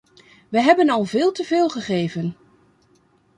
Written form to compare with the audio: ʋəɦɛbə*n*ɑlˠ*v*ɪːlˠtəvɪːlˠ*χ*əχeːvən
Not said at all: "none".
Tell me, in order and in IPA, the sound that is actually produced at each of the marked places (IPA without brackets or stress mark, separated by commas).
n, v, χ